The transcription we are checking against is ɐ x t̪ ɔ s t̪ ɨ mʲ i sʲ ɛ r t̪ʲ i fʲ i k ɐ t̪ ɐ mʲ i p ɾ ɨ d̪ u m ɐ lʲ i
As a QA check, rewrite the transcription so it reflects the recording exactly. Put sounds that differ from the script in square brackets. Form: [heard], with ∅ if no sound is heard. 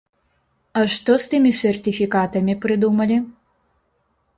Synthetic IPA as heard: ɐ [ʂ] t̪ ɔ s t̪ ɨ mʲ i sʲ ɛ r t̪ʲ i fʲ i k [a] t̪ ɐ mʲ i p ɾ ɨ d̪ u m ɐ lʲ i